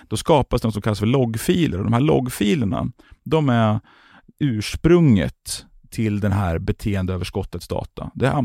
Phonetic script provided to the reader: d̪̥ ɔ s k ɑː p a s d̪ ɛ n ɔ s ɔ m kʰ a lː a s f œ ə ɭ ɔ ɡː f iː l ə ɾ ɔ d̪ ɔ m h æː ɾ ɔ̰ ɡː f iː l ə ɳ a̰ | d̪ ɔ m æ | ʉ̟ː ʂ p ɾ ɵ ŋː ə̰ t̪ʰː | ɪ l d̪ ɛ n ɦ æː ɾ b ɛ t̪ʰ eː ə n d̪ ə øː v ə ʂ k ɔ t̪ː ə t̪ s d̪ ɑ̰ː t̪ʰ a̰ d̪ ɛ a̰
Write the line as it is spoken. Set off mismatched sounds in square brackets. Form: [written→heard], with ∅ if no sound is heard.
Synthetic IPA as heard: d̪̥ ɔ s k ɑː p a s d̪ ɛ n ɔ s ɔ m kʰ a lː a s f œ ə ɭ ɔ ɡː f iː l ə ɾ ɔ d̪ ɔ m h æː [ɾ→ɭ] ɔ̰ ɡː f iː l ə ɳ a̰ | d̪ ɔ m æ | ʉ̟ː ʂ p ɾ ɵ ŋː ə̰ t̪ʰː | ɪ l d̪ ɛ n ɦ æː ɾ b ɛ t̪ʰ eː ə n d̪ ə øː v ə ʂ k ɔ t̪ː ə t̪ s d̪ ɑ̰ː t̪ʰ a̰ d̪ ɛ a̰